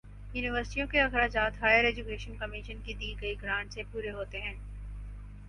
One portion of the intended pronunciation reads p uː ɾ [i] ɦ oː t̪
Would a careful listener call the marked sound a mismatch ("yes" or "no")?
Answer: yes